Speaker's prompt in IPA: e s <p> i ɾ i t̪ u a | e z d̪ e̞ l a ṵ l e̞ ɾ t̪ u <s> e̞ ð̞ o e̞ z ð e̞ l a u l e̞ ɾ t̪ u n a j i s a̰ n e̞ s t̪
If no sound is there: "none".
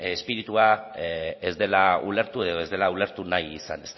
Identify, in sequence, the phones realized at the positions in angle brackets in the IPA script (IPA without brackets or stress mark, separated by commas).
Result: p, none